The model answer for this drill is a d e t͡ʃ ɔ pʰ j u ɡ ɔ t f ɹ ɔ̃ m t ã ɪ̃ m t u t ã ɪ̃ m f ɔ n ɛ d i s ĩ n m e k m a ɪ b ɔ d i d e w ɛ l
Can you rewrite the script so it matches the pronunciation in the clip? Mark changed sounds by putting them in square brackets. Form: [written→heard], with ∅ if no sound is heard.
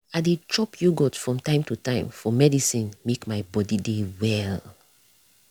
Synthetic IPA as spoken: a d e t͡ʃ ɔ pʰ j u ɡ ɔ t f ɹ ɔ̃ m t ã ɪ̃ m t u t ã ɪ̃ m f ɔ [n→m] ɛ d i s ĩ n m e k m a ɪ b ɔ d i d e w ɛ l